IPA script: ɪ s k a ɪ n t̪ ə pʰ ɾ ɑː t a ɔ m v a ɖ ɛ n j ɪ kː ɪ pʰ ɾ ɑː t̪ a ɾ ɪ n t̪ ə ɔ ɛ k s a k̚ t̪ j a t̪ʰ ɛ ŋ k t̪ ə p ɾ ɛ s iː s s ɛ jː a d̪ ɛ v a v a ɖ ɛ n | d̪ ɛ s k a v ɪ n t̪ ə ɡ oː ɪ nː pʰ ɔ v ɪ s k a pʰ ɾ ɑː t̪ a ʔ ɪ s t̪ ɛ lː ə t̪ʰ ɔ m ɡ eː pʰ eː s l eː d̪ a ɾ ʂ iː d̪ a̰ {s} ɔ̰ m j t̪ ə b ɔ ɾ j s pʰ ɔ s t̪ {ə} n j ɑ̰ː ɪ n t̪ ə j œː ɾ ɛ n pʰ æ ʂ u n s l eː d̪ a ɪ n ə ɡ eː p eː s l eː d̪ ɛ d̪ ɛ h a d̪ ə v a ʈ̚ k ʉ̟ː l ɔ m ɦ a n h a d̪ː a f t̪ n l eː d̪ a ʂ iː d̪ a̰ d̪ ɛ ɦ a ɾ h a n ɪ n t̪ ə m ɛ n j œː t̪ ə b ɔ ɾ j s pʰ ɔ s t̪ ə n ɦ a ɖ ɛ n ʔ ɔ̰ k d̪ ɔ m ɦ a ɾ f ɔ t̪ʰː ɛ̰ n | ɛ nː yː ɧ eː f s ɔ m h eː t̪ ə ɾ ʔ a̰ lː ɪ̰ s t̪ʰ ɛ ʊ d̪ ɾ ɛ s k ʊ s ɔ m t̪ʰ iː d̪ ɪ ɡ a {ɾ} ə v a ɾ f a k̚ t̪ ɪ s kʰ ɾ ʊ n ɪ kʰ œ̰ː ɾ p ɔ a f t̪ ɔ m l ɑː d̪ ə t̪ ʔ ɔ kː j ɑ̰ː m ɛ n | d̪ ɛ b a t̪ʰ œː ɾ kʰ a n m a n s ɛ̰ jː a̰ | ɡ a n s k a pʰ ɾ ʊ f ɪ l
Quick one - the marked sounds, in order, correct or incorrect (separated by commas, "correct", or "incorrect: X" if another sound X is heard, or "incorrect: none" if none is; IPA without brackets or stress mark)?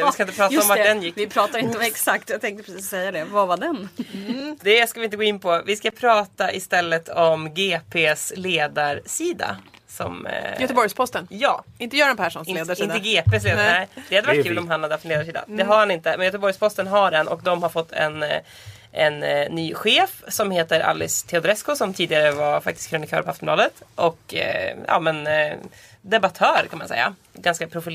correct, correct, correct